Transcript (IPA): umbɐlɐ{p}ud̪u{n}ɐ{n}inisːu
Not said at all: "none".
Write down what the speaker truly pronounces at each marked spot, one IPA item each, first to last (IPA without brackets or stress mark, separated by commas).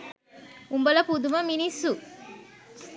p, m, m